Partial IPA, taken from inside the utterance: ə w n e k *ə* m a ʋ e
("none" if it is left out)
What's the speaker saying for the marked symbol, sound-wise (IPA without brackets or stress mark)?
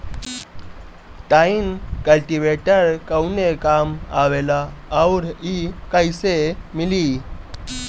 a